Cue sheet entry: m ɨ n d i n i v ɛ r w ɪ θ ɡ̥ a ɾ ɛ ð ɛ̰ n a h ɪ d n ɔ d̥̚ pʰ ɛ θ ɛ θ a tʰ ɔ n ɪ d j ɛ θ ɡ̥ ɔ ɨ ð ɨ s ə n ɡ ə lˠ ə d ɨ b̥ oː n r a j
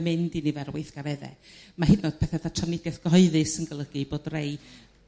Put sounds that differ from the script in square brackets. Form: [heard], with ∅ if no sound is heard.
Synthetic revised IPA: m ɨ n d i n i v ɛ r w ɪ θ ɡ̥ a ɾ ɛ ð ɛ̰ [m] a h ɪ d n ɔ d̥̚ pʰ ɛ θ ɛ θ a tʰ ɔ n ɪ d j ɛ θ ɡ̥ ɔ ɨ ð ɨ s ə n ɡ ə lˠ ə [ɡ] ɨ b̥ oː [d] r [e] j